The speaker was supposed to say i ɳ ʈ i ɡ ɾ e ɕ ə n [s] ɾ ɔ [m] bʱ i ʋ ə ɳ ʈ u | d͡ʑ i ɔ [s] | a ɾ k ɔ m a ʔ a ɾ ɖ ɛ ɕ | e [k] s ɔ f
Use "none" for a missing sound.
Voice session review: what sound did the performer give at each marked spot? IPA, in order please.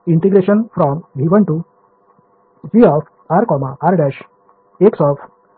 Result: f, m, f, k

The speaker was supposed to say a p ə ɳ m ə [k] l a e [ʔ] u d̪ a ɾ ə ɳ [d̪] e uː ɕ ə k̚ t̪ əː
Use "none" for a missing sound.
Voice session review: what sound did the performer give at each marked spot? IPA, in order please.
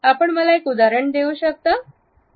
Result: none, k, d̪

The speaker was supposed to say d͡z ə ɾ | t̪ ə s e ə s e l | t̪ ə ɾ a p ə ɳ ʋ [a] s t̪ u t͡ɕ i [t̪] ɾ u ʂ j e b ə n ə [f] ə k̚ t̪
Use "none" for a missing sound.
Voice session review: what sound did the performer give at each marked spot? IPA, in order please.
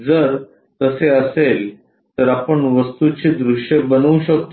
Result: ə, d̪, ɕ

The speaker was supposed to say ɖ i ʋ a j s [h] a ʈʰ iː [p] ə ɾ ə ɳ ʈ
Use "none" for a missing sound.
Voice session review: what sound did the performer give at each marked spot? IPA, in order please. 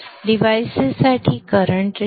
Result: s, k

